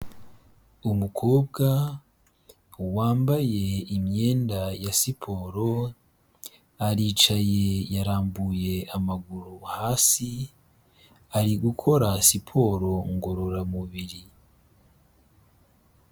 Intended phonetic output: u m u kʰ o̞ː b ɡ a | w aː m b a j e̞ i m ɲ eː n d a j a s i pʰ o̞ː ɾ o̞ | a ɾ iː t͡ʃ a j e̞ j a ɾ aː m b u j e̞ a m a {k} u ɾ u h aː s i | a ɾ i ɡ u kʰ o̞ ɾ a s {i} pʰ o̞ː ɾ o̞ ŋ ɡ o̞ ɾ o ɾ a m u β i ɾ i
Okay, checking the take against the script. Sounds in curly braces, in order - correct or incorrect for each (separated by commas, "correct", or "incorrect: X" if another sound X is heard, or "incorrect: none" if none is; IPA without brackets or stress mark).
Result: incorrect: ɡ, correct